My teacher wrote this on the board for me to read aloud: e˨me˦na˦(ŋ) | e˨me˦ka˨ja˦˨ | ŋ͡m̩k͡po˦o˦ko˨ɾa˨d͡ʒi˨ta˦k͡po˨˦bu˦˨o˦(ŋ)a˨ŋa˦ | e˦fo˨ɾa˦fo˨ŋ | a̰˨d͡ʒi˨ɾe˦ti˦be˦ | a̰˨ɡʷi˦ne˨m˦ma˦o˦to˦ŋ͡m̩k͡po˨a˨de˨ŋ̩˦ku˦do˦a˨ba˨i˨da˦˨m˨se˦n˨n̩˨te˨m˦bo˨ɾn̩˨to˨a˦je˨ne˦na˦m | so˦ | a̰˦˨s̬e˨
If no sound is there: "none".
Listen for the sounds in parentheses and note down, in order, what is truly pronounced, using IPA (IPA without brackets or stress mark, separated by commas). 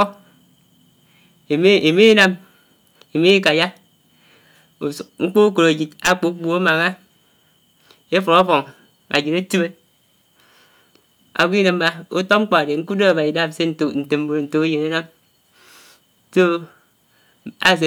m, m